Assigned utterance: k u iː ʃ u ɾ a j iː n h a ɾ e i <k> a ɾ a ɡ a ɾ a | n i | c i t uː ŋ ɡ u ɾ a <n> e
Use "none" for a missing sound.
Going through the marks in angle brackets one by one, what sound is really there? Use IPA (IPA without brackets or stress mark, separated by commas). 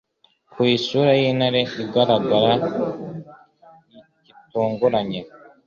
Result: ɡ, ɲ